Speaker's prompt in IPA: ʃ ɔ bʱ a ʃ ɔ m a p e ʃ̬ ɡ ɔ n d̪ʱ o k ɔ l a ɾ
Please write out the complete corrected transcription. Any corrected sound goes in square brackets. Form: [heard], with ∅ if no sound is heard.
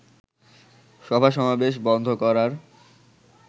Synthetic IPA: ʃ ɔ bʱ a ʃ ɔ m a [b] e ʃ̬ [b] ɔ n d̪ʱ o k ɔ [ɾ] a ɾ

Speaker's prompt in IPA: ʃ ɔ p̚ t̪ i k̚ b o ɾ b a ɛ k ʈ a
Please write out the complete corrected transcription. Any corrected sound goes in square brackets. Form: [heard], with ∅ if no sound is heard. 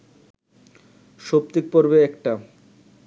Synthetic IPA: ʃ [o] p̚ t̪ i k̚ [p] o ɾ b [e] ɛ k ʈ a

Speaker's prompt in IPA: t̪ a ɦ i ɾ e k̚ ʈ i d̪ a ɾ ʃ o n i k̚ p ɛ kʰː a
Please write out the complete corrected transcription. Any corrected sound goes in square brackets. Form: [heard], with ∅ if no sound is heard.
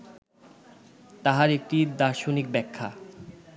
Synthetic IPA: t̪ a ɦ [a] ɾ e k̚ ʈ i d̪ a ɾ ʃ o n i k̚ [b] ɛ kʰː a

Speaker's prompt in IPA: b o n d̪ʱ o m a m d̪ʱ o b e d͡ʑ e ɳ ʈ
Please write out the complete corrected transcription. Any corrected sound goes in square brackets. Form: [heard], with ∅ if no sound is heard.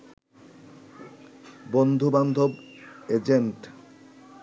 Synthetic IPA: b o n d̪ʱ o [b] a [n] d̪ʱ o b e d͡ʑ e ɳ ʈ

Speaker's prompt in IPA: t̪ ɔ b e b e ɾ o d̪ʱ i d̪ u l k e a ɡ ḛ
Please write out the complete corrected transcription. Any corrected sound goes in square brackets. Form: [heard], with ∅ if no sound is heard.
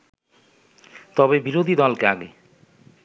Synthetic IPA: t̪ ɔ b e b [i] ɾ o d̪ʱ i d̪ [ɔ] l k e a ɡ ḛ

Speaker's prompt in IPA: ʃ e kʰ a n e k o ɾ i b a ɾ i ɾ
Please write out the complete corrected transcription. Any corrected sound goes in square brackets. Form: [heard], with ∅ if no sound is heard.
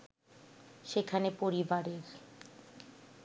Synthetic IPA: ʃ e kʰ a n e [p] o ɾ i b a ɾ [e] ɾ

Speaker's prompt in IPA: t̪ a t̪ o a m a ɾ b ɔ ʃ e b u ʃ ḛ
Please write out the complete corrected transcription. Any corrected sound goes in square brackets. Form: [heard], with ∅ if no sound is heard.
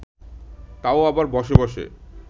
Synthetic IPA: t̪ a [∅] o a [b] a ɾ b ɔ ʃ e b [ɔ] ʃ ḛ

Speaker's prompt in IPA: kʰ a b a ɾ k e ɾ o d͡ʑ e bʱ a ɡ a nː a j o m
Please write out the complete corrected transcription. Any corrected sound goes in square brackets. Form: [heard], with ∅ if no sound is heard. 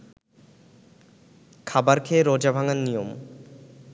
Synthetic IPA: kʰ a b a ɾ [kʰ] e ɾ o d͡ʑ [a] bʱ a [ŋ] a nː [i] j o m

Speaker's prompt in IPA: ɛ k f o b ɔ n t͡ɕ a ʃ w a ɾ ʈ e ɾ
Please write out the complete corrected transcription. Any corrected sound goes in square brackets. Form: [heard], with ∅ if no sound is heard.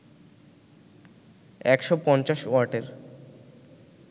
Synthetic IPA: ɛ k [ʃ] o [p] ɔ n t͡ɕ a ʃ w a ɾ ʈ e ɾ

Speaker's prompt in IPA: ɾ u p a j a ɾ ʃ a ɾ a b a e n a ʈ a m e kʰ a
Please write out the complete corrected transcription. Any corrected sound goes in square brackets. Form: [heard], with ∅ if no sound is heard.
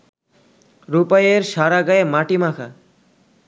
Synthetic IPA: ɾ u p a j [e] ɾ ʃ a ɾ a [ɡ] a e [m] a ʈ [i] m [a] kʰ a

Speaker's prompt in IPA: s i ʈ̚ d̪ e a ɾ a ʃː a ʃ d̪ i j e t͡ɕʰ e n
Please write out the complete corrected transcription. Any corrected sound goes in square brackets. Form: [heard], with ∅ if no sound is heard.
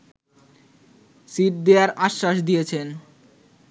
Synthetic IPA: s i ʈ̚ d̪ e a ɾ a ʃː a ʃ d̪ i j e t͡ɕʰ e n

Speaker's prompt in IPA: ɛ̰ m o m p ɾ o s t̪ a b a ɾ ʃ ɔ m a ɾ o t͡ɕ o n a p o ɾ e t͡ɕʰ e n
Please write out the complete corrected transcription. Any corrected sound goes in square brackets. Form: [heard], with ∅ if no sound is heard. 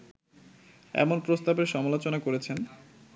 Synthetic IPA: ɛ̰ m o [n] p ɾ o s t̪ a b [e] ɾ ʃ ɔ m a [l] o t͡ɕ o n a [k] o ɾ e t͡ɕʰ e n

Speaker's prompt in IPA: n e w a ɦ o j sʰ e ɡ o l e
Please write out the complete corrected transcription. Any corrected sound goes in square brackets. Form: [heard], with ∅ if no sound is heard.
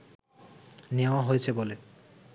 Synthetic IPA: n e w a ɦ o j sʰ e [b] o l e

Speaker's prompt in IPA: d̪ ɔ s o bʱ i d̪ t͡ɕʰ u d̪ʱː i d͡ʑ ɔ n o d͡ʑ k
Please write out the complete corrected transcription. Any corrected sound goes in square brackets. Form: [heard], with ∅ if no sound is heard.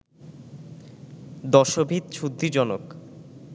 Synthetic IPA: d̪ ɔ [ʃ] o bʱ i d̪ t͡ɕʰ u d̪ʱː i d͡ʑ ɔ n o [∅] k

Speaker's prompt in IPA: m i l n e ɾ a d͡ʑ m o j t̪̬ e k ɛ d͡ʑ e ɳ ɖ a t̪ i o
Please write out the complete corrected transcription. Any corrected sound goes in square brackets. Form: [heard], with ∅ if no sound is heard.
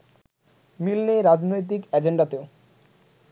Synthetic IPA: m i l n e ɾ a d͡ʑ [n] o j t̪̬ [i] k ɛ d͡ʑ e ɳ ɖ a t̪ [e] o

